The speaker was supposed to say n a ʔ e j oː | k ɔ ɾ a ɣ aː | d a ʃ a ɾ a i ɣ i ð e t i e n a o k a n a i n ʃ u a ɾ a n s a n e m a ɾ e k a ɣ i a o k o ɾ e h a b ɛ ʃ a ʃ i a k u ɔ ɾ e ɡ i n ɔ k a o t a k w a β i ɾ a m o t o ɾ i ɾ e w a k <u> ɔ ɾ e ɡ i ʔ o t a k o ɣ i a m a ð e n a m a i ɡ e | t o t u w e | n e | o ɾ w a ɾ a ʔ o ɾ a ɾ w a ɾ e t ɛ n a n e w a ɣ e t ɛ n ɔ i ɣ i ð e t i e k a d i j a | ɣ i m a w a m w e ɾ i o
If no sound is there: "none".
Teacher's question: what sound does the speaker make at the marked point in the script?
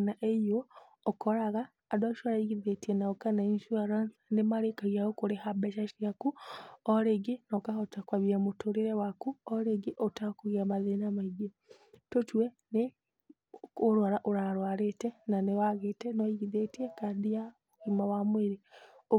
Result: u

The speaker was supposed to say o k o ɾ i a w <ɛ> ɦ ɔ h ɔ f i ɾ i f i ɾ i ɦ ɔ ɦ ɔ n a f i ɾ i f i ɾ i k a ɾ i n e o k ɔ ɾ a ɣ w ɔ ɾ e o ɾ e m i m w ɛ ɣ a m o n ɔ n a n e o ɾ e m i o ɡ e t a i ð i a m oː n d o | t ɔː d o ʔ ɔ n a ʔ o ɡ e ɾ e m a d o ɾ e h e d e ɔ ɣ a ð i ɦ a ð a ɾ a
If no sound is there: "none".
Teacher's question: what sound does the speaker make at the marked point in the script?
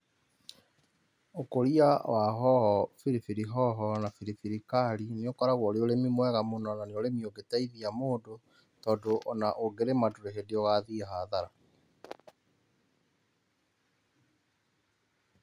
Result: a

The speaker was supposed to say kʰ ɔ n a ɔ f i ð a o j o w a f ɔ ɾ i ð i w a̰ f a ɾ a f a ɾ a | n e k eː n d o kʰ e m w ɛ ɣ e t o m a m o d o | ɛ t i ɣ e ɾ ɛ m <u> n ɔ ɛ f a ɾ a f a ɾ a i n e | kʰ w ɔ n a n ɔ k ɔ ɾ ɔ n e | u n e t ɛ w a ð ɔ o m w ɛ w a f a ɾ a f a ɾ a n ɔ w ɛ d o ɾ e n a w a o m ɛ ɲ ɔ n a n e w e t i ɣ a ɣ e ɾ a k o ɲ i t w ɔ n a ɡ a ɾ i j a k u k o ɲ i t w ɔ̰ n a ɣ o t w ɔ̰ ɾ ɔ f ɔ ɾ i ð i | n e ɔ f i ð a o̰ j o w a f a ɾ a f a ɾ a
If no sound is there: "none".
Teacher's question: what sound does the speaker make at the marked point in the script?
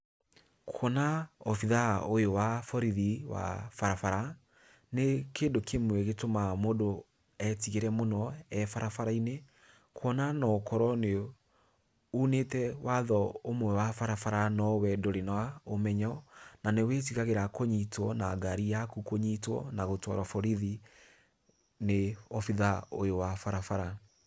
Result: o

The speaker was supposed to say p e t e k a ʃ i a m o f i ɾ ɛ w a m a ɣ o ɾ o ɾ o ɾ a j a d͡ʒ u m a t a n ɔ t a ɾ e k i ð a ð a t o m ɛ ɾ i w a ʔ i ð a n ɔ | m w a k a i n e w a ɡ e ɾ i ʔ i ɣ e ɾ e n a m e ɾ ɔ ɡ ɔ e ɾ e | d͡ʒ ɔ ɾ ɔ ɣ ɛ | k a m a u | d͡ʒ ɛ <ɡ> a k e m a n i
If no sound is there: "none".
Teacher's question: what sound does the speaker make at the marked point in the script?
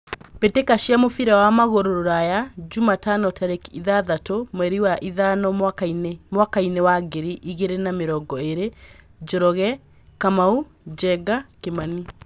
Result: ɡ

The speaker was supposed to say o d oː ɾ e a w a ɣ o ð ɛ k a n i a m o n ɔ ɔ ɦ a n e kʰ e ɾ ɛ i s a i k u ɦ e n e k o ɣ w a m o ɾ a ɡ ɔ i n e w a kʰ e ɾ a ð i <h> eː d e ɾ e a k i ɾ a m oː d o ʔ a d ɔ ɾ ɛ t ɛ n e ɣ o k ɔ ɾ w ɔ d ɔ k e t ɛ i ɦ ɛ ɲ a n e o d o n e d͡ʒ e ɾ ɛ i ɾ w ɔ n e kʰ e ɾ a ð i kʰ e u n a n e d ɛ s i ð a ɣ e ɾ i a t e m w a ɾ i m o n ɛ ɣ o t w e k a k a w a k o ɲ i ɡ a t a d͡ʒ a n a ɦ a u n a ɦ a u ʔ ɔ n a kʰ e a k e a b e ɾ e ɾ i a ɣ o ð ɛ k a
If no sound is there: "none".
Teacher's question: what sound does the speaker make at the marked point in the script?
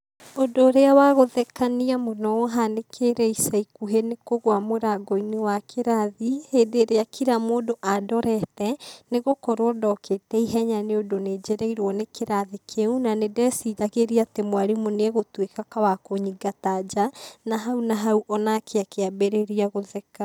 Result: h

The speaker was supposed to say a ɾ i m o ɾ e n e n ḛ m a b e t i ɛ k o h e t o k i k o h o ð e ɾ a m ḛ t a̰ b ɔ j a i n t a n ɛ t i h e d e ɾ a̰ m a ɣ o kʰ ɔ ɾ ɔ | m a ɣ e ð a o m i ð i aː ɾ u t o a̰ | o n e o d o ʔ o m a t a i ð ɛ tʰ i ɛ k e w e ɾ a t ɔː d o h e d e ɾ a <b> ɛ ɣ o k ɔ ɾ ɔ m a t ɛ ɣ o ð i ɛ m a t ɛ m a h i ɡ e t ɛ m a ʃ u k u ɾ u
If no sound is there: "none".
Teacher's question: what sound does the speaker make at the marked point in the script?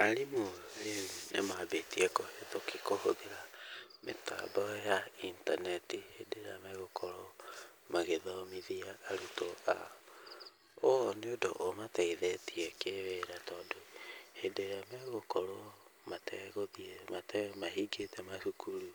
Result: m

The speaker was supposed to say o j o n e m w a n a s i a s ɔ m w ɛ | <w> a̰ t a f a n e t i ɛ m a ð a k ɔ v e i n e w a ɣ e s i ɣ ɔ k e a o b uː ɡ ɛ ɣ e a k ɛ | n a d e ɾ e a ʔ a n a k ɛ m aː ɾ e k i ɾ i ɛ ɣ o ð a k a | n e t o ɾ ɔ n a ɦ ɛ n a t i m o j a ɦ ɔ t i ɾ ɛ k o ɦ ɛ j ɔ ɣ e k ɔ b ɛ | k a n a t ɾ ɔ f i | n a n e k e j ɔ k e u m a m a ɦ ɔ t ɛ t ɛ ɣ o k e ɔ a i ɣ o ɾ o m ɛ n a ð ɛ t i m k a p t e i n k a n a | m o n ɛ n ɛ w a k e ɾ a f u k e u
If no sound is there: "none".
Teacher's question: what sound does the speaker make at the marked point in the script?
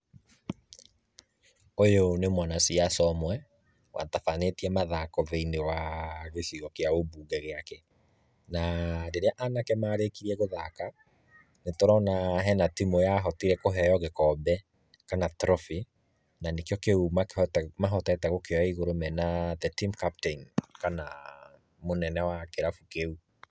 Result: w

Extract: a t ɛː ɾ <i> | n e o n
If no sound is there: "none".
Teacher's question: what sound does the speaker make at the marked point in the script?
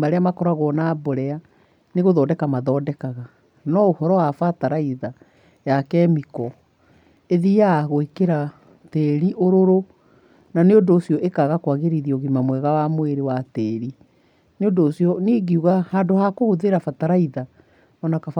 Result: i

